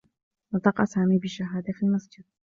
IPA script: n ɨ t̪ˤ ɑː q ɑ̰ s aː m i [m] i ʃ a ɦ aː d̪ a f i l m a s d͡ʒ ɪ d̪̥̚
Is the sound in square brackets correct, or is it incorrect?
incorrect: b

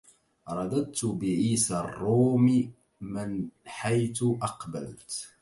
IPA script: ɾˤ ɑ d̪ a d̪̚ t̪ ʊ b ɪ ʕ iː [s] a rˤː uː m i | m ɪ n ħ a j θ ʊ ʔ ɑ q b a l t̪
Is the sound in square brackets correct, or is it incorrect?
correct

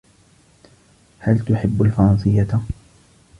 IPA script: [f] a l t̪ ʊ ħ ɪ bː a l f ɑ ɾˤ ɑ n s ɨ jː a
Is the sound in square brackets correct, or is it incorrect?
incorrect: h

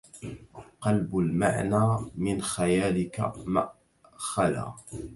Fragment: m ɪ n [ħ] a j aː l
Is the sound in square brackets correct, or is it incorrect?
incorrect: x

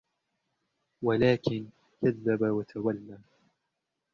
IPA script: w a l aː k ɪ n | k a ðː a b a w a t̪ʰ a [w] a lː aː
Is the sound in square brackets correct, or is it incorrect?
correct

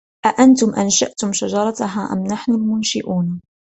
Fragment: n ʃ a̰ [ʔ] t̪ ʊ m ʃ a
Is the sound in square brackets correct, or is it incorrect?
correct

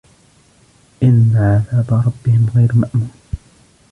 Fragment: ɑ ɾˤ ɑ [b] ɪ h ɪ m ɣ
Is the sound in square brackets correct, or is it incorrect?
incorrect: bː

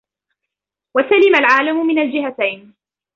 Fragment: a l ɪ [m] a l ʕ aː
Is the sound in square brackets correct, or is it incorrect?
correct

